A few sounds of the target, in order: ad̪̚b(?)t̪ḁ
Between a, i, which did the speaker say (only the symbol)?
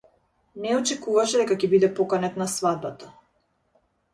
a